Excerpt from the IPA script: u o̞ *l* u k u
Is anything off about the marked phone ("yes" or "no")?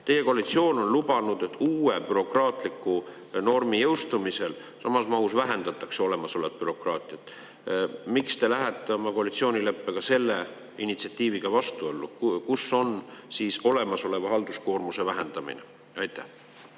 yes